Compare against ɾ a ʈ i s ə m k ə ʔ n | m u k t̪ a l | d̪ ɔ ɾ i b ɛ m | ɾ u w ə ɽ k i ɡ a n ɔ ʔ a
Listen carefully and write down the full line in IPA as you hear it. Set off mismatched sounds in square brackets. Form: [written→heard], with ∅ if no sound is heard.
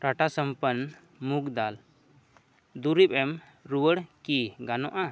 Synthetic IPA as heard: ɾ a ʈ [i→a] s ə m [k→p] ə [ʔ→∅] n | m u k [t̪→d̪] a l | d̪ [ɔ→u] ɾ i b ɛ m | ɾ u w ə ɽ k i ɡ a n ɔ ʔ a